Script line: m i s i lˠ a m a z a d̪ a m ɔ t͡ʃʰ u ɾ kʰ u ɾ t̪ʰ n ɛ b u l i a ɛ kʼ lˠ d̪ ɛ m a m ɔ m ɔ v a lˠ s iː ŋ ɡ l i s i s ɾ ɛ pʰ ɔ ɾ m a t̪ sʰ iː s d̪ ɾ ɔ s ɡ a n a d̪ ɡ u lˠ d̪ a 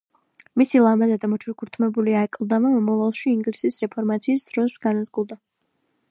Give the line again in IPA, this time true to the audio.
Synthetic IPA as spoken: m i s i lˠ a m a z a d̪ a m ɔ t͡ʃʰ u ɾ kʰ u ɾ t̪ʰ m ɛ b u l i a ɛ kʼ lˠ d̪ a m a m ɔ m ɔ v a lˠ ʃ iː ŋ ɡ l i s i s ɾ ɛ pʰ ɔ ɾ m a t̪ sʰ iː s d̪ ɾ ɔ s ɡ a n a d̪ ɡ u lˠ d̪ a